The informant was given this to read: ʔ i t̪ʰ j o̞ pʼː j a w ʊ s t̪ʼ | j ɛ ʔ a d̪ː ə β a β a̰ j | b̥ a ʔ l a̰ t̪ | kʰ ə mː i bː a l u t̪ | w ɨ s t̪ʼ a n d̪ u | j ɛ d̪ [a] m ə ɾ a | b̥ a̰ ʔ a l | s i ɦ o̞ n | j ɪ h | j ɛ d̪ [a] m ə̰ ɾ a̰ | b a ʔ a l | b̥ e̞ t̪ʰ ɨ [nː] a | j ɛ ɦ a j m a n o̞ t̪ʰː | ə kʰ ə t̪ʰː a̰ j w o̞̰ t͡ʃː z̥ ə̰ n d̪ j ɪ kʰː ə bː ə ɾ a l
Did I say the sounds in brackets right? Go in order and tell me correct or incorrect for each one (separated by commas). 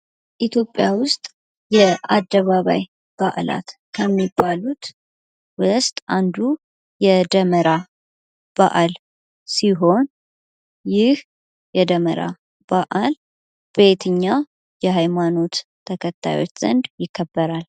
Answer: incorrect, incorrect, incorrect